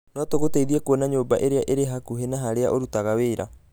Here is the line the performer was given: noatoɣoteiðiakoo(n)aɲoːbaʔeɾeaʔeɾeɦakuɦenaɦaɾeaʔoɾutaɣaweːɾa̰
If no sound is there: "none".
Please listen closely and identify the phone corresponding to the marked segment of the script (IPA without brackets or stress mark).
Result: n